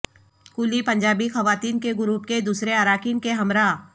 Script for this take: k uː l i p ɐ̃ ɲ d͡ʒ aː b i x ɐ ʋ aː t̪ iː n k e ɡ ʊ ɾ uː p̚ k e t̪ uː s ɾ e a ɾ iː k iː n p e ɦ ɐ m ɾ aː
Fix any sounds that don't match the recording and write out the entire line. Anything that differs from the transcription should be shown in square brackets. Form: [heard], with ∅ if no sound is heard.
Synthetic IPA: k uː l i p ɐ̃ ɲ d͡ʒ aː b i x ɐ ʋ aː t̪ iː n k e ɡ ʊ ɾ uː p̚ k e [d̪] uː s ɾ e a ɾ [aː] k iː n [k] e ɦ ɐ m ɾ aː